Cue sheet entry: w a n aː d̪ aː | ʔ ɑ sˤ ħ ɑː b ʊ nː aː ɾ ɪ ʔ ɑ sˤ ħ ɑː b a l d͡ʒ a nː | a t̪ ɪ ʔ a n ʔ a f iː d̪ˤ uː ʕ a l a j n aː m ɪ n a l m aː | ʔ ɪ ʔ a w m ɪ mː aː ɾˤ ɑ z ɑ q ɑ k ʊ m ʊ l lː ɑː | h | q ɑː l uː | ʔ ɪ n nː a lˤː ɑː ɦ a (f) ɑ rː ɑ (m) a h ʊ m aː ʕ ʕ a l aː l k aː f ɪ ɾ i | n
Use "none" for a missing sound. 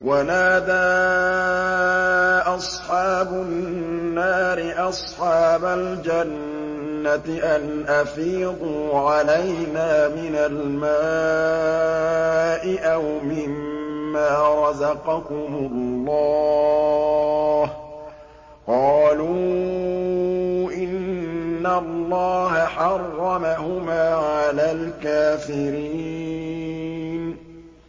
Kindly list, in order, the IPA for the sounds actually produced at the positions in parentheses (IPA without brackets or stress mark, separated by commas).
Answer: ħ, m